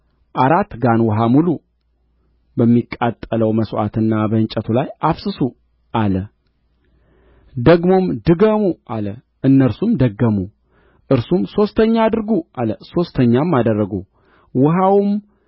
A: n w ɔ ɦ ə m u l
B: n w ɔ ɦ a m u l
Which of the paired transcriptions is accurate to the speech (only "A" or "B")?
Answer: B